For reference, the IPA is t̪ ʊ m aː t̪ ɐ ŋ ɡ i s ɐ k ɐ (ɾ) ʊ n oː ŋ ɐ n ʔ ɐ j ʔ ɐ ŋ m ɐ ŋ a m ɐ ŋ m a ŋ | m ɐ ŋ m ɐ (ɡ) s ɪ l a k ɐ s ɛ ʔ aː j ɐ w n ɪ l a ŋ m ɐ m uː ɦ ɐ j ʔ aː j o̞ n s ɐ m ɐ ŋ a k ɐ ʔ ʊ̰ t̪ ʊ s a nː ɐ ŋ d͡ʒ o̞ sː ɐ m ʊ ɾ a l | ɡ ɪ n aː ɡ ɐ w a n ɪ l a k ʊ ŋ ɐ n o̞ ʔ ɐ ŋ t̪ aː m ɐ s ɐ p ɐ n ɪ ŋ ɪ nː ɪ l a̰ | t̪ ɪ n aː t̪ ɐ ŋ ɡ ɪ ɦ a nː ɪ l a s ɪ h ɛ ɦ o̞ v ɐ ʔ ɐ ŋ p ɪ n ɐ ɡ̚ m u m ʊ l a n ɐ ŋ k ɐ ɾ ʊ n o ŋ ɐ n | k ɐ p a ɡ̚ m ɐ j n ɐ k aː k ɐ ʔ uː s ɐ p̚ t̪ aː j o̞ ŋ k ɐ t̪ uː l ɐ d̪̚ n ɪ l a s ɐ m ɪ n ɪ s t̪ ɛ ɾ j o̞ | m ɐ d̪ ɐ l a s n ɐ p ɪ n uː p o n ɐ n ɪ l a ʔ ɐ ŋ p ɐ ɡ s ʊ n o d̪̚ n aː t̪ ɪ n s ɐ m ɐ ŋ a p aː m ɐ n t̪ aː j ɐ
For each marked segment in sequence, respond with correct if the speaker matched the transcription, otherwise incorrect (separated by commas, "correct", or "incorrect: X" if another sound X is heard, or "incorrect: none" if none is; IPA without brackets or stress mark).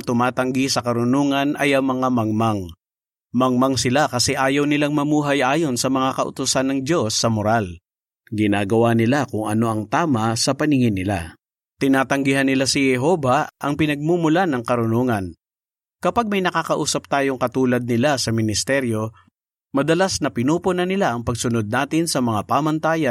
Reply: correct, incorrect: ŋ